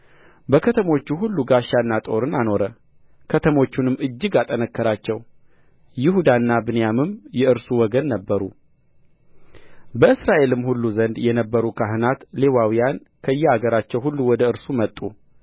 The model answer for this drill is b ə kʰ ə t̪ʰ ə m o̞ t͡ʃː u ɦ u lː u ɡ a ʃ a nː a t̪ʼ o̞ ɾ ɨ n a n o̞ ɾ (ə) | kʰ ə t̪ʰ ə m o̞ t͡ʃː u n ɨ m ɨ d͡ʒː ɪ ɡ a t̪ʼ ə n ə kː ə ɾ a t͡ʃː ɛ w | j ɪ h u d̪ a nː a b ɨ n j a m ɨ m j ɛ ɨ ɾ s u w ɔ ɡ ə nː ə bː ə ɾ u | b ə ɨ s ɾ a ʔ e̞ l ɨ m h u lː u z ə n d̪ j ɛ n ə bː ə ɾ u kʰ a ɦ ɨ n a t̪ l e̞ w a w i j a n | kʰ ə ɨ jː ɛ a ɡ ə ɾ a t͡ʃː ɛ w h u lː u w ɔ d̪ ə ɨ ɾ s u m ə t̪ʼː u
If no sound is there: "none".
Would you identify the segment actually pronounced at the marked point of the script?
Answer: ə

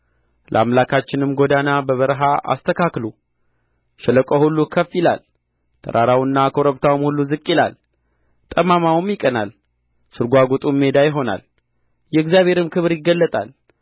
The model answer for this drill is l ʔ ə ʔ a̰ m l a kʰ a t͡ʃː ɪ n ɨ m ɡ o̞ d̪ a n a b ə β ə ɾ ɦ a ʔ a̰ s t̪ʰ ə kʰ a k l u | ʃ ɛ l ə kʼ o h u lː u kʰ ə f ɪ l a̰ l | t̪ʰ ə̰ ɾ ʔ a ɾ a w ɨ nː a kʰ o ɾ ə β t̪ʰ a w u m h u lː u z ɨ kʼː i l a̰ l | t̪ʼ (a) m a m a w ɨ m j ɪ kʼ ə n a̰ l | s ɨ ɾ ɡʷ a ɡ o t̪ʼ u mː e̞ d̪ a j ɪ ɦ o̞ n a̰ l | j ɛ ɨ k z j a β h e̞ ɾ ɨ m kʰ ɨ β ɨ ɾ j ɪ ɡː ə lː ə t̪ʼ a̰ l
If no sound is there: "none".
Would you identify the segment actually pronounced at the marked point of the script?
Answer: ə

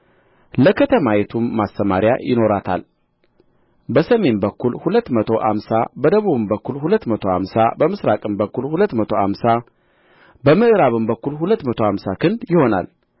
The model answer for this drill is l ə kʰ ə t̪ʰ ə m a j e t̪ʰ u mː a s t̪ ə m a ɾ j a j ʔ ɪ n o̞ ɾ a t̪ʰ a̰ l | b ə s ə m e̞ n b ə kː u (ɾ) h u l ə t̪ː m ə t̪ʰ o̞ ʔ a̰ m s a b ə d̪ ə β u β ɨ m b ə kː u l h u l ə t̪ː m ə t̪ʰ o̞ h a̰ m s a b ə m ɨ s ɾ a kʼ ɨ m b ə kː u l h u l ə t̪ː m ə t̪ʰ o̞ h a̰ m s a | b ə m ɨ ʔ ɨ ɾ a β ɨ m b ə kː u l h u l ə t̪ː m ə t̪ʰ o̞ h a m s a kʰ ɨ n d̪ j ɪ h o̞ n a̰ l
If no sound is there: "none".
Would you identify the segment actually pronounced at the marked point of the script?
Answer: l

